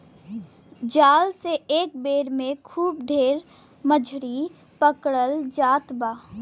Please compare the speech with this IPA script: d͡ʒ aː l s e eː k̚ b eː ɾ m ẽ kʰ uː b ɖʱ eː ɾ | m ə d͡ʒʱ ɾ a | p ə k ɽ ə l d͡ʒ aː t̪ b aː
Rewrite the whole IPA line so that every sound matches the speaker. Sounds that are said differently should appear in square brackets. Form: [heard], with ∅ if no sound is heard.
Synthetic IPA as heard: d͡ʒ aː l s e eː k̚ b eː ɾ m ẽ kʰ uː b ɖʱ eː ɾ | m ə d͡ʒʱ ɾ [i] | p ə k ɽ ə l d͡ʒ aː t̪ b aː